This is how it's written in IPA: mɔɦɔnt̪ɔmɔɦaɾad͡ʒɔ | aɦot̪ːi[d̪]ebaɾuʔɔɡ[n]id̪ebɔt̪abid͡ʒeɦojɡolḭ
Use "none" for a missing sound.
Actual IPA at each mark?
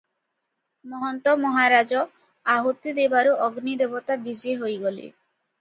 d̪, n

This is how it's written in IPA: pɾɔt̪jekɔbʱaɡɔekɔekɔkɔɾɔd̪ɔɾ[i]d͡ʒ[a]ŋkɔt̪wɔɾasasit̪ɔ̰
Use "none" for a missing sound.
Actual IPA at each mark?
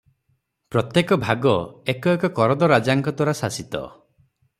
a, a

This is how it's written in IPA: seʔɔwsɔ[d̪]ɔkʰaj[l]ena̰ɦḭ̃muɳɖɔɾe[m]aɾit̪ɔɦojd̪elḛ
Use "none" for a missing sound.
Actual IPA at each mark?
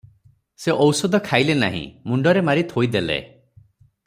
d̪, l, m

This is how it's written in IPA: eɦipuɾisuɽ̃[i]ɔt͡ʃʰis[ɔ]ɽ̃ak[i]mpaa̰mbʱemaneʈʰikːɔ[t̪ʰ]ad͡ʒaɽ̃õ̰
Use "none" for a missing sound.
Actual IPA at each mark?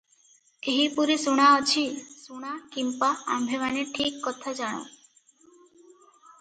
a, u, i, t̪ʰ

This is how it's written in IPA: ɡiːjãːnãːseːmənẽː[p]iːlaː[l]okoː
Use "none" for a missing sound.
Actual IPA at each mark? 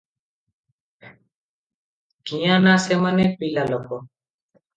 p, l

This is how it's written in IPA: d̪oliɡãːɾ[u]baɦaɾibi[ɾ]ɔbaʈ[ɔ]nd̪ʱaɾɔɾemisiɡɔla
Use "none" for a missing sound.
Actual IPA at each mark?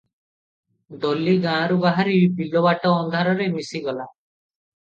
u, l, ɔː

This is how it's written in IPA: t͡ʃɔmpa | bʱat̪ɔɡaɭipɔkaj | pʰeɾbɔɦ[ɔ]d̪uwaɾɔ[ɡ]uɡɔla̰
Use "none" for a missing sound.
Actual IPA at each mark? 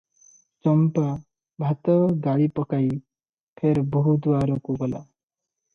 u, k

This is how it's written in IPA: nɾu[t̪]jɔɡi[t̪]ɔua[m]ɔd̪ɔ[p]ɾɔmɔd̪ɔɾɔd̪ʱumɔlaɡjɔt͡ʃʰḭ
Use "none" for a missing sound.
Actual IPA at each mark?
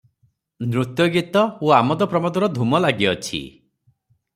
t̪, t̪, m, p

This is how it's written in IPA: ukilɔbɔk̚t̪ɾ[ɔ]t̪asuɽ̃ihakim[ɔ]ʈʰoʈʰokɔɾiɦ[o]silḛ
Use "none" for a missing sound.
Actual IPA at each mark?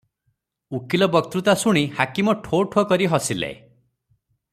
u, ɔ, ɔ

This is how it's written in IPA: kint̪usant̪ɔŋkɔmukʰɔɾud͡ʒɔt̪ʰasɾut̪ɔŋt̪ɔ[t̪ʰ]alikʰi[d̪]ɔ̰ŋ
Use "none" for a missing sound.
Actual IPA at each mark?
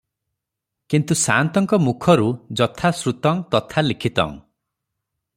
t̪ʰ, t̪

